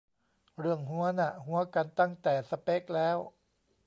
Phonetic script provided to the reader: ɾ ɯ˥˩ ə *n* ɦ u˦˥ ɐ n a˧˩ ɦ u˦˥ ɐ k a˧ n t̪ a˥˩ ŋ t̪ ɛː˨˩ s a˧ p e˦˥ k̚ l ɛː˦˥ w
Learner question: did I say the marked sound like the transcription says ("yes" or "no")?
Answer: no